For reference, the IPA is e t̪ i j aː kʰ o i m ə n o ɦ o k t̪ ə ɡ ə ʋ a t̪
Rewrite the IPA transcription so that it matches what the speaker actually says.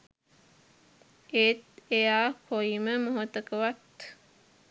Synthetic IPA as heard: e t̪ e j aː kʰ o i m ə m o ɦ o t̪ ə k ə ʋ a t̪